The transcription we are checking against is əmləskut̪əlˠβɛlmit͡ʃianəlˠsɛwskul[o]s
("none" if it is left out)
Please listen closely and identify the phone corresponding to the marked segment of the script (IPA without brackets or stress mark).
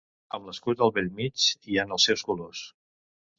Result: o